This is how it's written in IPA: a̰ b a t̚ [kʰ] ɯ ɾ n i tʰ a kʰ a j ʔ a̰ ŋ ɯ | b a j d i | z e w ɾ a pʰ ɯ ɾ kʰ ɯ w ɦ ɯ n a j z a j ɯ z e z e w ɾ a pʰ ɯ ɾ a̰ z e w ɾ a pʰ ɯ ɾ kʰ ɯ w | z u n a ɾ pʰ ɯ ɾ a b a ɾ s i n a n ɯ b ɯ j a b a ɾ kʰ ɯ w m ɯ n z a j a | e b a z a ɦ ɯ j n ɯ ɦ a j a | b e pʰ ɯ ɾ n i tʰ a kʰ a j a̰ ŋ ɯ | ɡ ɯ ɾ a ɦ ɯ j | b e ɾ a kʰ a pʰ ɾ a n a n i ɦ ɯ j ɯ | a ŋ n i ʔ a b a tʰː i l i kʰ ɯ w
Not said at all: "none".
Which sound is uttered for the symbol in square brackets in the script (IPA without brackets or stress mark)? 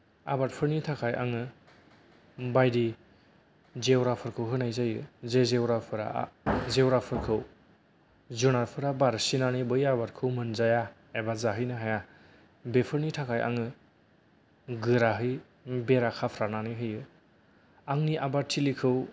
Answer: pʰ